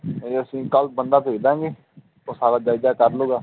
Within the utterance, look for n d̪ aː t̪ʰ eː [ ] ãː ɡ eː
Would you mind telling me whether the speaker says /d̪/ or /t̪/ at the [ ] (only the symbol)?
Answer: d̪